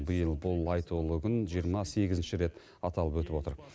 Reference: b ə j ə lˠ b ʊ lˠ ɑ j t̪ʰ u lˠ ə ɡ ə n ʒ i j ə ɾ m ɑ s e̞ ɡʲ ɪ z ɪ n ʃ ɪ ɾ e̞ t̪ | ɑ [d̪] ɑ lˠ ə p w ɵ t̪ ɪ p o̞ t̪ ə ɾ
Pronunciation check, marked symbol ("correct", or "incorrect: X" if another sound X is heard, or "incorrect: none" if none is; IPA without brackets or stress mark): incorrect: t̪